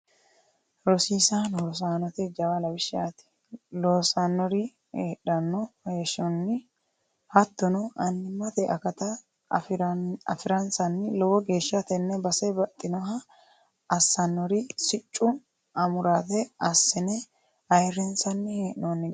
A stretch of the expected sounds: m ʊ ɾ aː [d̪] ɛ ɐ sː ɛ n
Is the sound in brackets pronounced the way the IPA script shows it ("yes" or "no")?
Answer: no